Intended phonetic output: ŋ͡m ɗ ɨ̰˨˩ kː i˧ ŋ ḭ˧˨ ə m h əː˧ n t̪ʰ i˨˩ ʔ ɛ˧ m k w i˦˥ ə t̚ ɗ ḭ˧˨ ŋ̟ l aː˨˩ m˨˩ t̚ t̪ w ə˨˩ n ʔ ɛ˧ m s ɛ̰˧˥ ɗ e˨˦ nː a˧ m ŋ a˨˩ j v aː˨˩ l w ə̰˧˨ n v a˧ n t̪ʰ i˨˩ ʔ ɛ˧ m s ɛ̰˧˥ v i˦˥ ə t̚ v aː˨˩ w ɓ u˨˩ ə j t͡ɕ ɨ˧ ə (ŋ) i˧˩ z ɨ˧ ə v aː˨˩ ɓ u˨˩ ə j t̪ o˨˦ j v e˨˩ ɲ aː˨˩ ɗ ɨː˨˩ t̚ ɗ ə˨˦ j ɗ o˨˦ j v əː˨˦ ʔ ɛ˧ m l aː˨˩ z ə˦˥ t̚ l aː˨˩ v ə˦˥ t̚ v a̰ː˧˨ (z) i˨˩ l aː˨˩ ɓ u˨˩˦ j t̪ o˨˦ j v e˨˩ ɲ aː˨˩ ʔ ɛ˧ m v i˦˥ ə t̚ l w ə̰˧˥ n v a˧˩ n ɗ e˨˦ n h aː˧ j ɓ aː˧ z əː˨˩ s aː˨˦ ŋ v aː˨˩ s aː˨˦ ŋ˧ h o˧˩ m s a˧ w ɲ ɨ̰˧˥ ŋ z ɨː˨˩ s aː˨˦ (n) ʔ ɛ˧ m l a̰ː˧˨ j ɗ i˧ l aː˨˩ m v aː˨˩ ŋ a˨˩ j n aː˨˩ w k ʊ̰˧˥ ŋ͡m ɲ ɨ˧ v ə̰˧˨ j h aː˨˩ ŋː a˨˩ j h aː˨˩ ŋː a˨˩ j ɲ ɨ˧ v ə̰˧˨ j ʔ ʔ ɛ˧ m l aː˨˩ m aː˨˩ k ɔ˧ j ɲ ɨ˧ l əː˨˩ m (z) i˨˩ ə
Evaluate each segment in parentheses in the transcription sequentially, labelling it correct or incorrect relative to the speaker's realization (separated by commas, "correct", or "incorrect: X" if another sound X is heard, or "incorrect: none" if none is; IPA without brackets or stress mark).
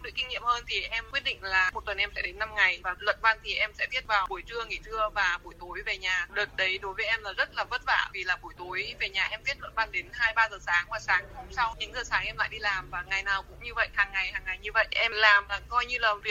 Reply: correct, incorrect: v, incorrect: ŋ, incorrect: v